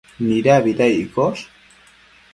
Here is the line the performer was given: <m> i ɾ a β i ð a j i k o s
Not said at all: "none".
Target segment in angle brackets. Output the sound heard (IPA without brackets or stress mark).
n